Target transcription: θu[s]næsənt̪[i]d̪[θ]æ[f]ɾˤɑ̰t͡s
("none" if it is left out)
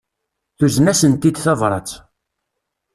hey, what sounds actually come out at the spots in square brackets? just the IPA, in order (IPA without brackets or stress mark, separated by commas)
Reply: z, i, θ, v